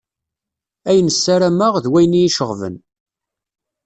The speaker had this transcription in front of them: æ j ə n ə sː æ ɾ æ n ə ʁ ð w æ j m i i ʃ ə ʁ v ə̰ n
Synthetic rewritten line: æ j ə n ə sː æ ɾ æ m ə ʁ ð w æ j n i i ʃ ə ʁ v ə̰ n